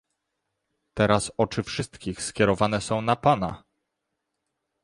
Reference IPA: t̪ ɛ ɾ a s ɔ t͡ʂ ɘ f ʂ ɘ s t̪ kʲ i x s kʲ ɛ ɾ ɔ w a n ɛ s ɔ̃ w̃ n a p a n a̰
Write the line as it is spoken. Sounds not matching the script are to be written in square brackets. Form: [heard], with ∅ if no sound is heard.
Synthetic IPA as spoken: t̪ ɛ ɾ a s ɔ t͡ʂ ɘ f ʂ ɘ s t̪ kʲ i x s kʲ ɛ ɾ ɔ [v] a n ɛ s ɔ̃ w̃ n a p a n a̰